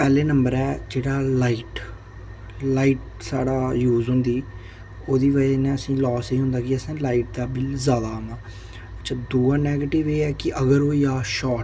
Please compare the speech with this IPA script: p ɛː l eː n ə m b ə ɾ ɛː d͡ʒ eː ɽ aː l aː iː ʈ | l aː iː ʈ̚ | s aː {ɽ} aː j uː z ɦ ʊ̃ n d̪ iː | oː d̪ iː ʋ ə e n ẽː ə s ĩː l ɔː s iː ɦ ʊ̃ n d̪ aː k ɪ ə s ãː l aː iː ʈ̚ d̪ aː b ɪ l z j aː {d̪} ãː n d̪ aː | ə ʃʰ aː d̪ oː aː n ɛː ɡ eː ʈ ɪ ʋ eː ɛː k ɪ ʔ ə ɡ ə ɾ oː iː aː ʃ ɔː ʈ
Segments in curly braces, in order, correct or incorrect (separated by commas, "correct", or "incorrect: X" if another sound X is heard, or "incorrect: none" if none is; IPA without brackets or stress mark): correct, correct